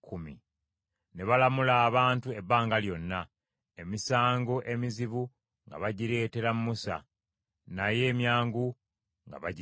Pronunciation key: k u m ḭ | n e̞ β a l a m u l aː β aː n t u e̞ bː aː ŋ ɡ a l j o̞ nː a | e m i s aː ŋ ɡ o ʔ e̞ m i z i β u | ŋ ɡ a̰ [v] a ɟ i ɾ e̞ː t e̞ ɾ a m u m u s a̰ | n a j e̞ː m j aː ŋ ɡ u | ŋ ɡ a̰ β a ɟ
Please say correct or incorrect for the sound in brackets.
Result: incorrect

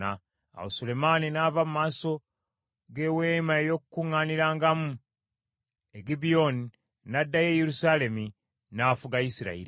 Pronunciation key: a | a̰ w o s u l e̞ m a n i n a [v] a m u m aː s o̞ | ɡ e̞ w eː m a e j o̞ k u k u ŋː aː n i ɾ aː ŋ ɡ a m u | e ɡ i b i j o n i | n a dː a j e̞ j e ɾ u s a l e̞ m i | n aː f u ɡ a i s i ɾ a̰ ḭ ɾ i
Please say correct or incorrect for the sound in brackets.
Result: correct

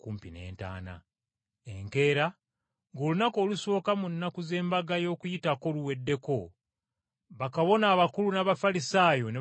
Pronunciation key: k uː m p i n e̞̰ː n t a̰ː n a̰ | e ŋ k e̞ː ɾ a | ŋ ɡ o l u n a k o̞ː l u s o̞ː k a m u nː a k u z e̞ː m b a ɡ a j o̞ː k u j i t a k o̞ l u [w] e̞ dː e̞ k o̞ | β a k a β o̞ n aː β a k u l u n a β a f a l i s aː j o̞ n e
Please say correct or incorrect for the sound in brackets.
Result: correct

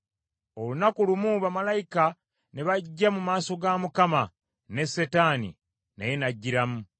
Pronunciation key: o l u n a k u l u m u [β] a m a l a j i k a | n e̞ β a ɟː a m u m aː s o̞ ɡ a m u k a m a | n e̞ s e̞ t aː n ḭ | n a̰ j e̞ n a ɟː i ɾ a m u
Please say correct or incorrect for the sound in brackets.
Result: correct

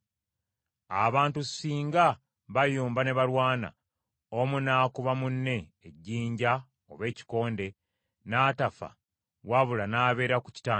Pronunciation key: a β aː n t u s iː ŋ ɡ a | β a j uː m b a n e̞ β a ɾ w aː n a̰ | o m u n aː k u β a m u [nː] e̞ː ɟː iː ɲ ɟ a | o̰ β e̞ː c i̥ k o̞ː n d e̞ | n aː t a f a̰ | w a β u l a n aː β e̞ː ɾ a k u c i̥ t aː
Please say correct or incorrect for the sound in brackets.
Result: correct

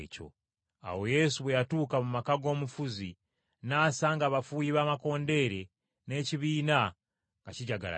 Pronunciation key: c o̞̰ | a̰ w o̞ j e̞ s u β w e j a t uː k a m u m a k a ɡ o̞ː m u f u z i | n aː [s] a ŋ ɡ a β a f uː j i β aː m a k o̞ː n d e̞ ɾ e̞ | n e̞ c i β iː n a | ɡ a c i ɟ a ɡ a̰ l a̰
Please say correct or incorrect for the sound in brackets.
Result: correct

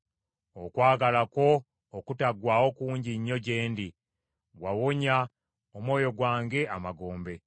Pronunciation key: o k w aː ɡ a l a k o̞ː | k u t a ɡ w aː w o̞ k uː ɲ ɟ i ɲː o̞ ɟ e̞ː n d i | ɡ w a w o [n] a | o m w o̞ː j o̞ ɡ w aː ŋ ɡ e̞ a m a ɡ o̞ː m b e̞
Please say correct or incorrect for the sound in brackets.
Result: incorrect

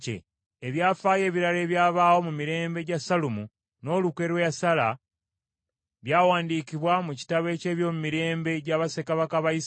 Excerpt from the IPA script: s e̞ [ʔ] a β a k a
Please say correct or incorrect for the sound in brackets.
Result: incorrect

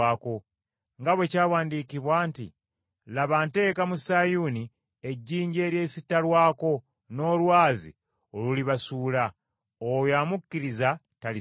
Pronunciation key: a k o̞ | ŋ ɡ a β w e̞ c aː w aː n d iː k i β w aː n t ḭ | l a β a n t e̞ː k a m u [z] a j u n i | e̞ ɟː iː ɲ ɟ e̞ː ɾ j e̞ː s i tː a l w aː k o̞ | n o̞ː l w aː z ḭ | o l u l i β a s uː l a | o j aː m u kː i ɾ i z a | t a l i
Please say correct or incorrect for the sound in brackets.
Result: incorrect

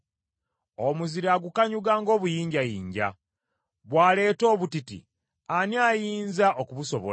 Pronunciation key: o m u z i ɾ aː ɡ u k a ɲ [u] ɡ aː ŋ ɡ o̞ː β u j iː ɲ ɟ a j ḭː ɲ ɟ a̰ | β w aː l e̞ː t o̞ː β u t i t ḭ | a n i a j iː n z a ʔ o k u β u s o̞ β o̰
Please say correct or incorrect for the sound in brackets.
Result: correct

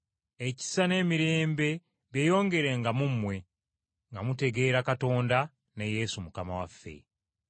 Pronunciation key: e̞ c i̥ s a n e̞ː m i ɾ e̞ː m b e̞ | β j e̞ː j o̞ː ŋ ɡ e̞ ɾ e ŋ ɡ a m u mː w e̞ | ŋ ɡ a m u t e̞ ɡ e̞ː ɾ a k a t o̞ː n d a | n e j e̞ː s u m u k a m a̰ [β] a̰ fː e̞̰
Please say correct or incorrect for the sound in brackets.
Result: incorrect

